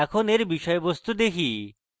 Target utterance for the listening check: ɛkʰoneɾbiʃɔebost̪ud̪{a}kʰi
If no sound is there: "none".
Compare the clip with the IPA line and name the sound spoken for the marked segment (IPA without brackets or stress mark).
e